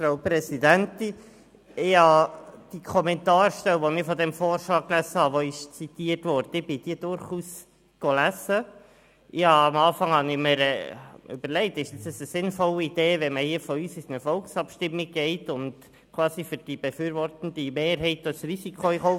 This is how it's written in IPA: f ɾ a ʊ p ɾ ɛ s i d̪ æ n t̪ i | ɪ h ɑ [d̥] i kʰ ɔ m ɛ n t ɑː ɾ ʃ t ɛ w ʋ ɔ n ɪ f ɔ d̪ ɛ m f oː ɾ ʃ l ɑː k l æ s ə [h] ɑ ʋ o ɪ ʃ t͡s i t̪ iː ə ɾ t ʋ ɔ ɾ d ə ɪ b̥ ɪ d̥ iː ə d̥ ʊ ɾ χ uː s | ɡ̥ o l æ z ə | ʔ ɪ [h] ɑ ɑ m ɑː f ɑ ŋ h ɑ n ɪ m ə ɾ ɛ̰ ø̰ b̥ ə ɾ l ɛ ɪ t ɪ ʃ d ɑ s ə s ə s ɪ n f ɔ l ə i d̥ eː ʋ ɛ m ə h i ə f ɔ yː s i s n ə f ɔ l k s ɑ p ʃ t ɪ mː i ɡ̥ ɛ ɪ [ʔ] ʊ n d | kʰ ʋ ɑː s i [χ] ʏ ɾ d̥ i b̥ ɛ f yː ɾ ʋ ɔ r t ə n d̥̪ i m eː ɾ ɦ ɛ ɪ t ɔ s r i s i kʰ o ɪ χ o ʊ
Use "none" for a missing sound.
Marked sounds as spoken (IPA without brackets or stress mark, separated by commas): d̥, h, h, t, f